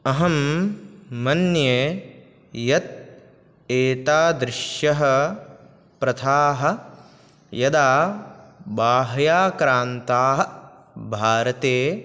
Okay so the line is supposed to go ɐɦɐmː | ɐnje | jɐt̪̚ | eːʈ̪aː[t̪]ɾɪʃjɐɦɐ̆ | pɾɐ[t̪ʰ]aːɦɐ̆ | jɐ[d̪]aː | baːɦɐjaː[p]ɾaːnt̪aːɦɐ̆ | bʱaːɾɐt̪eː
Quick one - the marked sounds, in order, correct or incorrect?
incorrect: d̪, correct, correct, incorrect: k

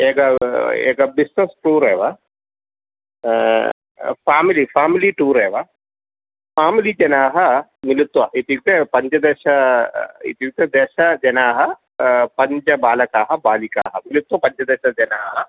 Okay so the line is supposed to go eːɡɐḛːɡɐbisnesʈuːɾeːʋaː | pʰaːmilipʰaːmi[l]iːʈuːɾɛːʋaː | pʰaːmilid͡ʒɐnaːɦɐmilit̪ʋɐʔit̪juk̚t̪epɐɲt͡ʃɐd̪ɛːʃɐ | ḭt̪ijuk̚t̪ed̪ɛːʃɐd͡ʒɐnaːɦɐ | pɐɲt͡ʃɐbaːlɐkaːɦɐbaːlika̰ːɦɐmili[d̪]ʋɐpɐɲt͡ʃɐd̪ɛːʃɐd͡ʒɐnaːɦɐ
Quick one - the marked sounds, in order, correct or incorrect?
correct, incorrect: t̪

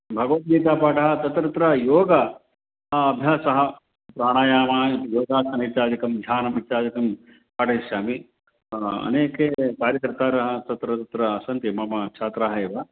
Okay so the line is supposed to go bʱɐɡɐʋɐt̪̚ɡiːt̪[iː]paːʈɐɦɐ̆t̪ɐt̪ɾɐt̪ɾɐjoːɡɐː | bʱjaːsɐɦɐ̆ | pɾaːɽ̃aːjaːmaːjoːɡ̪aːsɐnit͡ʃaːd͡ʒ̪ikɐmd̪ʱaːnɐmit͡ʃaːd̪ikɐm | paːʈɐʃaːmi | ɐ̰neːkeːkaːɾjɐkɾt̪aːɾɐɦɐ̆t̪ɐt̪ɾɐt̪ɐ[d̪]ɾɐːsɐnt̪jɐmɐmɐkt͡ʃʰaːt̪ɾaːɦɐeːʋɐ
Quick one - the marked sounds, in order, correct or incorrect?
incorrect: aː, incorrect: t̪

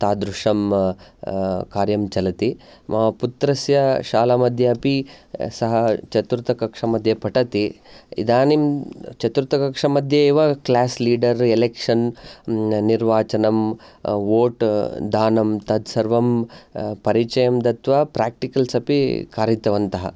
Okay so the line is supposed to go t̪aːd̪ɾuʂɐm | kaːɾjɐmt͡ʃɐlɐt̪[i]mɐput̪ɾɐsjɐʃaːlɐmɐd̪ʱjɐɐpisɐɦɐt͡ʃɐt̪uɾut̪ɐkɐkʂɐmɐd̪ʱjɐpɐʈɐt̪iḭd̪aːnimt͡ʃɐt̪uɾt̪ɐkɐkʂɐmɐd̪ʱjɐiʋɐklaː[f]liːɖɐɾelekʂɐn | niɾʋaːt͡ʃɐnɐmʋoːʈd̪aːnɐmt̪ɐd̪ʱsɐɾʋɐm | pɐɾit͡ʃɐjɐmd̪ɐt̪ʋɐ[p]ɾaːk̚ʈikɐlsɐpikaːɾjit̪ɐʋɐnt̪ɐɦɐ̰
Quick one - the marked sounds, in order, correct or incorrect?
correct, incorrect: s, correct

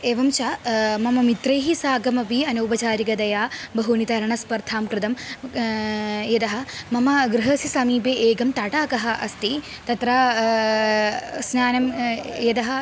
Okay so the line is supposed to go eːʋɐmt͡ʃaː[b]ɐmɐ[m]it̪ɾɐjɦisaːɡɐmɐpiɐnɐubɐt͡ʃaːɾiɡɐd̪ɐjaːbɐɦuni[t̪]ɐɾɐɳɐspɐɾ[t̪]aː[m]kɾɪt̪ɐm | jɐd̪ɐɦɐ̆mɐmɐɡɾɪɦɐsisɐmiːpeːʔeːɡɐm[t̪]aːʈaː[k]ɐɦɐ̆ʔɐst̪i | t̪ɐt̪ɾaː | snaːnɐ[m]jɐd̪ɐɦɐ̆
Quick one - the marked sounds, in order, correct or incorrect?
incorrect: m, correct, correct, incorrect: t̪ʰ, correct, correct, correct, correct

